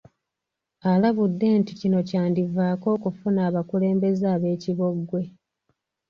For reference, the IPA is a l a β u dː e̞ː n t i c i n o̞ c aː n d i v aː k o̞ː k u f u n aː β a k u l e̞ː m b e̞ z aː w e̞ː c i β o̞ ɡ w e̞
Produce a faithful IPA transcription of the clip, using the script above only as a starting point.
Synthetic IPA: a l a β u dː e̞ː n t i c i n o̞ c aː n d i v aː k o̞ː k u f u n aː β a k u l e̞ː m b e̞ z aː β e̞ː c i β o̞ ɡ w e̞